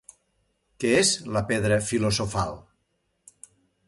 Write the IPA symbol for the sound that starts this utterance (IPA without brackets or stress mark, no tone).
k